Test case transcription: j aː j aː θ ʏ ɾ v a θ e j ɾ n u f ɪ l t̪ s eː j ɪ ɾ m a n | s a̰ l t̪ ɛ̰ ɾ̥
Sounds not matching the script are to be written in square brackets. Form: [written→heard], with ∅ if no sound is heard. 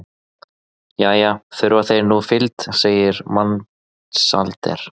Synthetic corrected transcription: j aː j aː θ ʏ ɾ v a θ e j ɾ n u f ɪ l t̪ s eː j ɪ ɾ m a n | s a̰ l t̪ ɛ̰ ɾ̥